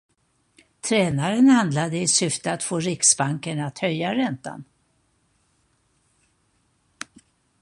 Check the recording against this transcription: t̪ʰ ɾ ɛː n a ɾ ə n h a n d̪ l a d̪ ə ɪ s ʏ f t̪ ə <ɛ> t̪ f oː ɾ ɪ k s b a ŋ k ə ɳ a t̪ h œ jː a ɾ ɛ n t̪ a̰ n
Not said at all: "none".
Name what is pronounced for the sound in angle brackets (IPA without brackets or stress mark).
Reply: a